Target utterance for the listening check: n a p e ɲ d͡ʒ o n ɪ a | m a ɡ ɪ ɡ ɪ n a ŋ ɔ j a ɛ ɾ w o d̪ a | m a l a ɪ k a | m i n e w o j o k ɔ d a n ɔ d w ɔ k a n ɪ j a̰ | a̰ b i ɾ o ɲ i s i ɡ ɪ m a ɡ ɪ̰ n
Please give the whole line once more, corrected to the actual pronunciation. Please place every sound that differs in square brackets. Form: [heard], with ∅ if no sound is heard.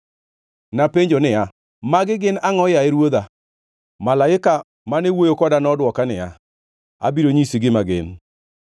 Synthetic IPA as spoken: n a p e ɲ d͡ʒ o n ɪ a | m a ɡ ɪ ɡ ɪ n a ŋ ɔ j a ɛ ɾ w o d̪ a | m a l a ɪ k a | m [a] n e w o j o k ɔ d a n ɔ d w ɔ k a n ɪ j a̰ | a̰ b i ɾ o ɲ i s i ɡ ɪ m a ɡ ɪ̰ n